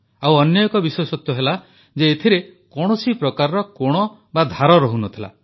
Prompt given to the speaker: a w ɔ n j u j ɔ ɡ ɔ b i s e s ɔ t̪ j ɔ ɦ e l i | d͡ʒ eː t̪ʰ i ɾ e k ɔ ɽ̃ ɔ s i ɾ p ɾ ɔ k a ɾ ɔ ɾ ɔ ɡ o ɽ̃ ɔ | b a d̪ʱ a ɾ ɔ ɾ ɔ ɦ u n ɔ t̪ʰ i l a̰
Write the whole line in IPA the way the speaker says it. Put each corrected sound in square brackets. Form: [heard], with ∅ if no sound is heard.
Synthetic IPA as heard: a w ɔ n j [ɔ] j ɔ [k] ɔ b i s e s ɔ t̪ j ɔ ɦ e l [a] | d͡ʒ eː t̪ʰ i ɾ e k ɔ ɽ̃ ɔ s i [∅] p ɾ ɔ k a ɾ ɔ ɾ ɔ [k] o ɽ̃ ɔ | b a d̪ʱ a ɾ ɔ ɾ ɔ ɦ u n ɔ t̪ʰ i l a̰

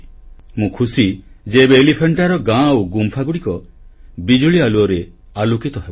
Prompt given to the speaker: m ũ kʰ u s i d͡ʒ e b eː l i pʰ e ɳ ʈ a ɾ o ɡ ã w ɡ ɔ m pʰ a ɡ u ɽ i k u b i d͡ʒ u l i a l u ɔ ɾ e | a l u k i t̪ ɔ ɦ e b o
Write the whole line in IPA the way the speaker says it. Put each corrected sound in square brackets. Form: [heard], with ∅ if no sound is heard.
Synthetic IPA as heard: m ũ kʰ u s i d͡ʒ e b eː l i pʰ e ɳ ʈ a ɾ [ɔ] ɡ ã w ɡ [u] m pʰ a ɡ u ɽ i k [ɔ] b i d͡ʒ u [ɭ] i a l u ɔ ɾ e | a l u k i t̪ ɔ ɦ e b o

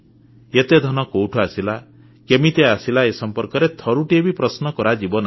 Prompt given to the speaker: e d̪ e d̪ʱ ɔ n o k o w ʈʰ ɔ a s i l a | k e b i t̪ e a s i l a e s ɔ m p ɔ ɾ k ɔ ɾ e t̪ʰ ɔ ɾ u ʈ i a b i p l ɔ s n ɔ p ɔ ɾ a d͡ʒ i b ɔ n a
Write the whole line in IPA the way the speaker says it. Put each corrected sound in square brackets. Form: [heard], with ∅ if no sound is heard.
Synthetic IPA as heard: e [t̪] e d̪ʱ ɔ n [ɔ] k o w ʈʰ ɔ a s i l a | k e [m] i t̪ e a s i l a e s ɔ m p ɔ ɾ k ɔ ɾ e t̪ʰ ɔ ɾ u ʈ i [e] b i p [ɾ] ɔ s n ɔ [k] ɔ ɾ a d͡ʒ i b ɔ n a

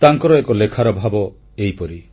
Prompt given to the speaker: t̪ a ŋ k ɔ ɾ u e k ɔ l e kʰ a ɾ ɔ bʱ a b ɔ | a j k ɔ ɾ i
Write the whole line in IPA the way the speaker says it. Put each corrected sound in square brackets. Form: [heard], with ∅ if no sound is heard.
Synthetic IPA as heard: t̪ a ŋ k ɔ ɾ [ɔ] e k ɔ l e kʰ a ɾ ɔ bʱ a b ɔ | [e] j [p] ɔ ɾ i

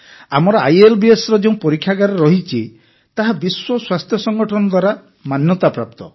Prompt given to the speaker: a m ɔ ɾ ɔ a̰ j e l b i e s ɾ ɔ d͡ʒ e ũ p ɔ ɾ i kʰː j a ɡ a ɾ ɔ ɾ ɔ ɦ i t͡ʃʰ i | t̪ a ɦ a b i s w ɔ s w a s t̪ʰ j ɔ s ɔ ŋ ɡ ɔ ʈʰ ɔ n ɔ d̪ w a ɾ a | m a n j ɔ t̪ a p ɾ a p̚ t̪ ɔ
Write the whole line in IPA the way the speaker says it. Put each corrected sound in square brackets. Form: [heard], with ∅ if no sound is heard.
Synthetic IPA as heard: a m ɔ ɾ ɔ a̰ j e l b i e s ɾ ɔ d͡ʒ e ũ p ɔ ɾ i kʰː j a ɡ a ɾ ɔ ɾ ɔ ɦ i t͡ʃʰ i | t̪ a ɦ a b i s w ɔ s w a s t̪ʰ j ɔ s ɔ ŋ ɡ ɔ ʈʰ ɔ n ɔ d̪ w a ɾ a | m a n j ɔ t̪ a p ɾ a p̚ t̪ ɔ

